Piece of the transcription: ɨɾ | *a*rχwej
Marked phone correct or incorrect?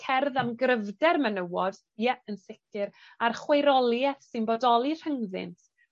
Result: correct